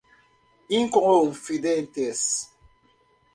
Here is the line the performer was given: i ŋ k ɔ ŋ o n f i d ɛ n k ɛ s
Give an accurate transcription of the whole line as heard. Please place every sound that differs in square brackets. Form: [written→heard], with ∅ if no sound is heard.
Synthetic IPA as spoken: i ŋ k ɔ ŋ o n f i d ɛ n [k→t] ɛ s